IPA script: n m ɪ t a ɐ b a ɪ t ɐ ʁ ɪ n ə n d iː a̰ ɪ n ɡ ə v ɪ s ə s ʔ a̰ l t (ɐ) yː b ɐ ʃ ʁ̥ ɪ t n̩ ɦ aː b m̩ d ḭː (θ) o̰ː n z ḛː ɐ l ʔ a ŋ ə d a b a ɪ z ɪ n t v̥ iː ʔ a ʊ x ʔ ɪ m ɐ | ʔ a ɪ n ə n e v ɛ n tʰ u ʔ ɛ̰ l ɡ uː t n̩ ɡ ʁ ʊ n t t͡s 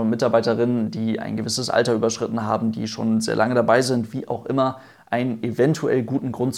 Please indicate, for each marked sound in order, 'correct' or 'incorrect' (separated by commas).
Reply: correct, incorrect